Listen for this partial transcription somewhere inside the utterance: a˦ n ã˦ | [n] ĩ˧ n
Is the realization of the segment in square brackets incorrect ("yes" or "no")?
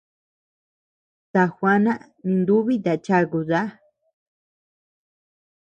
no